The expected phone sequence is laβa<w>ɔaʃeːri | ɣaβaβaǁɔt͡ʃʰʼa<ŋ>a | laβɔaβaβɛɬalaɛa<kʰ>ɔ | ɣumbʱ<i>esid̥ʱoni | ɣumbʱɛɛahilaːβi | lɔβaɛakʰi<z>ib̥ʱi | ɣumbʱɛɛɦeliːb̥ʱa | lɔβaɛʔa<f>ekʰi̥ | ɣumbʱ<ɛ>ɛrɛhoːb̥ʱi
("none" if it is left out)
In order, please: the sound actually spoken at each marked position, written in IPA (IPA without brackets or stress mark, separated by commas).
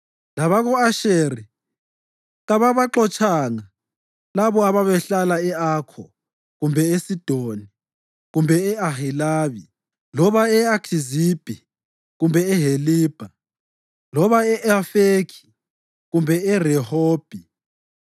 ɣ, ŋ, kʰ, ɛ, z, f, ɛ